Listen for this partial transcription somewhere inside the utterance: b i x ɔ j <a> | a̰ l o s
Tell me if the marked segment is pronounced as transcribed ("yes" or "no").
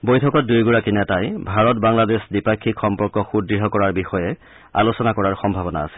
no